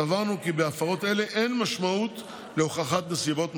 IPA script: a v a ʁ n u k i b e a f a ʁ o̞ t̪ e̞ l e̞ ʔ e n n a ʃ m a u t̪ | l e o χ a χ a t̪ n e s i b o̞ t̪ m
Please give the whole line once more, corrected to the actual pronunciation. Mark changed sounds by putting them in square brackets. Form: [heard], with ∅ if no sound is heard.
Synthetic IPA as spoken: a v a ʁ n u k i b e a f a ʁ o̞ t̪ e̞ l e̞ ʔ e n [m] a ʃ m a u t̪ | l e o χ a χ a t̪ n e s i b o̞ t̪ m

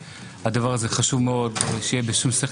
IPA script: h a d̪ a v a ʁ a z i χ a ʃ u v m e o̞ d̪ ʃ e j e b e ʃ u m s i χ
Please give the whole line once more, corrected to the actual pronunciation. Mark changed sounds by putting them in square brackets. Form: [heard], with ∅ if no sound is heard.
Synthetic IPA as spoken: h a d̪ a v a ʁ a z [e] χ a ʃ u v m e o̞ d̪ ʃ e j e b e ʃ u m s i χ

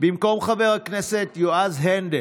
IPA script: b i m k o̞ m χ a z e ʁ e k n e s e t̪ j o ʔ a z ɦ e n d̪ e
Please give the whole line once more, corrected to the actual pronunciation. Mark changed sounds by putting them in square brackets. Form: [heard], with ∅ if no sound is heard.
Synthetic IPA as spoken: b i m k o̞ m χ a [v] e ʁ [a] k n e s e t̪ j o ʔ a z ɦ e n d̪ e

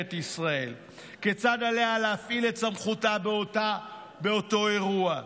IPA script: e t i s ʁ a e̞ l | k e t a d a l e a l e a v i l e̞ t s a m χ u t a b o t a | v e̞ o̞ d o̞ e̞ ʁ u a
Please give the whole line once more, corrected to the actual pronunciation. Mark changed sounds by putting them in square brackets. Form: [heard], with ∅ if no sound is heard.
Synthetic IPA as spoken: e t i s ʁ a e̞ l | k e [t͡s] a d a l e a l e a [f] i l e̞ t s a m χ u t a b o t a | [b] e̞ o̞ [t] o̞ e̞ ʁ u a

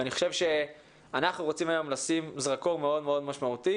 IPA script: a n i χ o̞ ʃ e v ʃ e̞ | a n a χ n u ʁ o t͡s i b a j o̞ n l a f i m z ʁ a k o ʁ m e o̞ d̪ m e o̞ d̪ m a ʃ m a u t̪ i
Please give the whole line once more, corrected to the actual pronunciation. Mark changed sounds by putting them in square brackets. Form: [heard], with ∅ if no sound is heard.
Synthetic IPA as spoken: a n i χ o̞ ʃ e v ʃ e̞ | a n a χ n u ʁ o t͡s i [m] a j o̞ [m] l a [s] i m z ʁ a k o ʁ m e o̞ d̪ m e o̞ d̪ m a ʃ m a u t̪ i

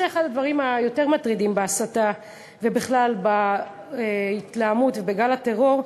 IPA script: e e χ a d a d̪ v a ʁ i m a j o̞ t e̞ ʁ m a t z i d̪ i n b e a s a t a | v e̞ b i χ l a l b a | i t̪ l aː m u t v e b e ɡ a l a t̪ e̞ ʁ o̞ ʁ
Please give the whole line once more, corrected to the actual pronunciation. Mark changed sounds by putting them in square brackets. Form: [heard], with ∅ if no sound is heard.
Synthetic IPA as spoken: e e χ a d a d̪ v a ʁ i m a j o̞ t e̞ ʁ m a t [ʁ] i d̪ i [m] b e a s a t a | v e̞ b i χ l a l b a | i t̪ l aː m u t v e b e ɡ a l a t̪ e̞ ʁ o̞ ʁ

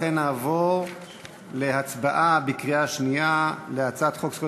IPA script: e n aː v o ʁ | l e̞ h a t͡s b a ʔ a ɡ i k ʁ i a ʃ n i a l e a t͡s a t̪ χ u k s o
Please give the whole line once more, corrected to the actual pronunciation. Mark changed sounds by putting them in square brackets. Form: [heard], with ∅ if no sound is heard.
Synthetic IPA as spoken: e n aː v o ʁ | l e̞ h a t͡s b a ʔ a [b] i k ʁ i a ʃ n i a l e a t͡s a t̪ χ [o] k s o

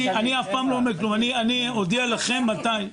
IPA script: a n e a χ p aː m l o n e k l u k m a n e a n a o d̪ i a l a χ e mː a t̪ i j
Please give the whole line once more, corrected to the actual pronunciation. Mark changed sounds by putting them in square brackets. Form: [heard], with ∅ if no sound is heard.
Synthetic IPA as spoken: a n [i] a [f] p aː m l o [m] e k l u [∅] m a n [i] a n [i] o d̪ i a l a χ e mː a t̪ [a] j

